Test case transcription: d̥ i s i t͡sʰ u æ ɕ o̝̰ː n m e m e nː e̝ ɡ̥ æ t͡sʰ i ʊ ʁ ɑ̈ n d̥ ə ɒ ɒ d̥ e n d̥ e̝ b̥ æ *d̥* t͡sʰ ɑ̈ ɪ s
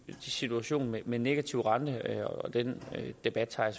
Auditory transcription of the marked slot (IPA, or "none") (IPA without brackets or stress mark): d̥